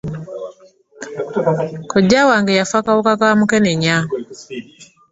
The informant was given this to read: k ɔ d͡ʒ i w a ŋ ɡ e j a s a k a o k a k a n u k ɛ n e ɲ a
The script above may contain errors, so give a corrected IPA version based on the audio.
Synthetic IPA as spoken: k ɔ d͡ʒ a w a ŋ ɡ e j a f a k a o k a k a m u k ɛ n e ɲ a